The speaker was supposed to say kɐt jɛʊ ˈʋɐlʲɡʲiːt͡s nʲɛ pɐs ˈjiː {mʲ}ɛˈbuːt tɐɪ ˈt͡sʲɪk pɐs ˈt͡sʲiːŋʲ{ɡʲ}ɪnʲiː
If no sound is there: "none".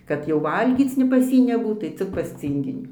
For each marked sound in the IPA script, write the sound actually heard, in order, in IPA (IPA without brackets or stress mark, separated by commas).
nʲ, ɡʲ